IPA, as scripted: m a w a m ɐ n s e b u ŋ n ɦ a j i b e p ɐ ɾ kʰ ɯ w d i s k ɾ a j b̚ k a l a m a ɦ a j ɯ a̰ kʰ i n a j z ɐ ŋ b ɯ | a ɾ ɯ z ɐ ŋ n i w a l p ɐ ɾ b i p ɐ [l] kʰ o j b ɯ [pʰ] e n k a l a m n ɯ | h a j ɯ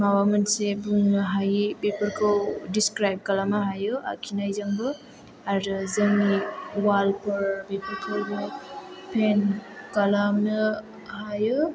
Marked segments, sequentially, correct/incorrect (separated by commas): incorrect, correct